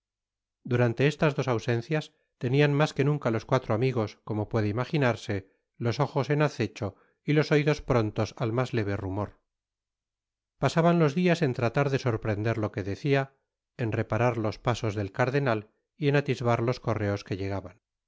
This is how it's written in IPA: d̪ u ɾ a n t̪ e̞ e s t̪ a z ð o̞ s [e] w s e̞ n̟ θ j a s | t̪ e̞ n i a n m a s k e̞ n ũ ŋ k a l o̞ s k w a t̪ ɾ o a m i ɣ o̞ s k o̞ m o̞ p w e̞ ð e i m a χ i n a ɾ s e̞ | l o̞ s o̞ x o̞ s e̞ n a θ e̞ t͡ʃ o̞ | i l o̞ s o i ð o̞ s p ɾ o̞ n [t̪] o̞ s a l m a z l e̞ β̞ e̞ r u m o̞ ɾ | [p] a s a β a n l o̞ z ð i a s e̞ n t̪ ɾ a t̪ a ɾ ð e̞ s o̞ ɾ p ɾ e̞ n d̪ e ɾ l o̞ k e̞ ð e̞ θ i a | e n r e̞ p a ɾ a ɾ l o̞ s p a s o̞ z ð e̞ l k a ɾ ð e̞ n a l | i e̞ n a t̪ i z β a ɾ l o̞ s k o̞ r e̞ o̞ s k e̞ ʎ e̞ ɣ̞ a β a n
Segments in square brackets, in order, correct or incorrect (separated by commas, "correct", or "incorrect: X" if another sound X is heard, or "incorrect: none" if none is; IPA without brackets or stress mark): incorrect: a, correct, correct